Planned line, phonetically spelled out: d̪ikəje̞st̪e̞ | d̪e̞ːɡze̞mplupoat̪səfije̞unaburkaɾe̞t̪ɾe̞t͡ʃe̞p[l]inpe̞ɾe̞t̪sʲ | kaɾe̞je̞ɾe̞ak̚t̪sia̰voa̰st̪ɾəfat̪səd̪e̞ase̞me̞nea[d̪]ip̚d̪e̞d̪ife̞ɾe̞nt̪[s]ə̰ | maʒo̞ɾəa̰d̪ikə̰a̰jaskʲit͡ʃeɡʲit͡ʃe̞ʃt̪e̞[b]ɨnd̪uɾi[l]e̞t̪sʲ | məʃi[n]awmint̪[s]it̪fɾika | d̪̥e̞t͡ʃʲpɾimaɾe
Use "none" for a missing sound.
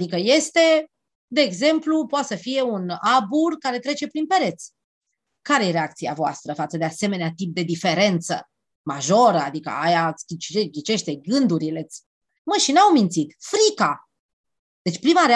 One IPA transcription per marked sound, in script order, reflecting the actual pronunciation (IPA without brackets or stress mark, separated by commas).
ɾ, t̪, s, ɡ, l, n, s